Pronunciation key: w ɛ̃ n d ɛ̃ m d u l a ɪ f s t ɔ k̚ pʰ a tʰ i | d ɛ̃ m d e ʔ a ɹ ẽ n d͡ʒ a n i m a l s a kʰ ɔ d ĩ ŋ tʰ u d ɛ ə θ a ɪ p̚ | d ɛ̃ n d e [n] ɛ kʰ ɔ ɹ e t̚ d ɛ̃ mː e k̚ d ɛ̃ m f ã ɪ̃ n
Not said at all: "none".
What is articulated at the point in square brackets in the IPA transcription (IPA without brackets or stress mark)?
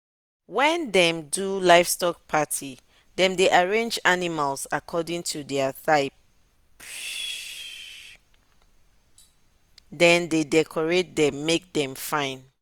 d